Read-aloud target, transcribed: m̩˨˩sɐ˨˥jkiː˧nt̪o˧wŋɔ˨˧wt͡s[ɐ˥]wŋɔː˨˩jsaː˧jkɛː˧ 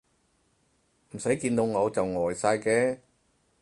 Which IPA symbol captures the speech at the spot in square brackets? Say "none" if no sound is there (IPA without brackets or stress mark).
ɐ˨